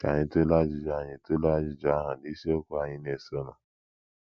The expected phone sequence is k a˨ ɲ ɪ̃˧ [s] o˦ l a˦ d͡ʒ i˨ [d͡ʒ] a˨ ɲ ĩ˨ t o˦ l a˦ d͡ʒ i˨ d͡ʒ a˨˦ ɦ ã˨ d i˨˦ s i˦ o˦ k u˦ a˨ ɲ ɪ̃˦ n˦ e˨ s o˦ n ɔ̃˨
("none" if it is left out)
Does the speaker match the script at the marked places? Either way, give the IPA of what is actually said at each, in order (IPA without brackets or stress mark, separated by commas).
t, d͡ʒ